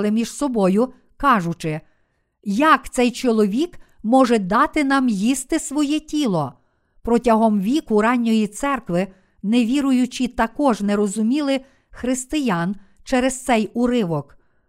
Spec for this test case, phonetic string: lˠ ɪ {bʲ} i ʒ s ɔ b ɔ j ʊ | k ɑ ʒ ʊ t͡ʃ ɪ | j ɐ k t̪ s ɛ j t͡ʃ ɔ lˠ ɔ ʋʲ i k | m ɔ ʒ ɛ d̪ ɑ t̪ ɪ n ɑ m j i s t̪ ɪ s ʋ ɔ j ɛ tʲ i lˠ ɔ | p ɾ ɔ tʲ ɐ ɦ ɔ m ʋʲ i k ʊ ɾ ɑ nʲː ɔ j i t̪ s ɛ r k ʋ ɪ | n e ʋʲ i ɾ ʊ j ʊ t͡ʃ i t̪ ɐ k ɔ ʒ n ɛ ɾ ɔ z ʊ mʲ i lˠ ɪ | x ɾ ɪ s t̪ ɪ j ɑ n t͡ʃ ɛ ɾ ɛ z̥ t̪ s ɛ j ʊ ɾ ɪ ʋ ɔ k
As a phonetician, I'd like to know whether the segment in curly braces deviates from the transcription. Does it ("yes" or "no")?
yes